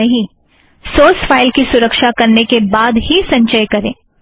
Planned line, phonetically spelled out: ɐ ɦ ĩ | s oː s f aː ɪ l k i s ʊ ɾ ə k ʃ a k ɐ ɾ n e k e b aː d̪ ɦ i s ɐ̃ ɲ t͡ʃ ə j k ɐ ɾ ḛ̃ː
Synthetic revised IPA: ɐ ɦ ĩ | s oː s f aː ɪ l k i s ʊ ɾ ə k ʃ a k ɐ ɾ n e k e b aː d̪ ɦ i s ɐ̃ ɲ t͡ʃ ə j k ɐ ɾ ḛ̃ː